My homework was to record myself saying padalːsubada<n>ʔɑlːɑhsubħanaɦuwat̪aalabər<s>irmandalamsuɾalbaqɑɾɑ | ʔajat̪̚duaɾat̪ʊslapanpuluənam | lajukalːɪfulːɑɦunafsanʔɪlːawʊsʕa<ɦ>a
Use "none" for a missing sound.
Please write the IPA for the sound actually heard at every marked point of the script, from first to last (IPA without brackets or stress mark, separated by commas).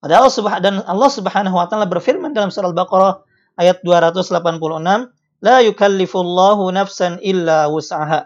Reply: n, f, ɦ